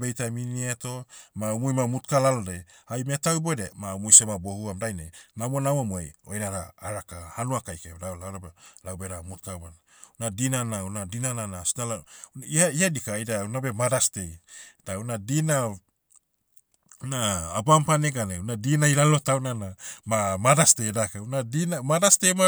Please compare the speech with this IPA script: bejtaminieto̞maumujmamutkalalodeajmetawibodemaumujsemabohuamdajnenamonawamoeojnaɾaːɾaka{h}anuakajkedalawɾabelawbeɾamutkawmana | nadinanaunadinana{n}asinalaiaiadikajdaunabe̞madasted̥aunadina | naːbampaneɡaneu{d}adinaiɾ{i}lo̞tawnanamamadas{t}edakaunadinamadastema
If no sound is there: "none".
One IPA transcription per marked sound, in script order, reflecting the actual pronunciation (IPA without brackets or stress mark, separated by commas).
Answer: h, n, n, a, t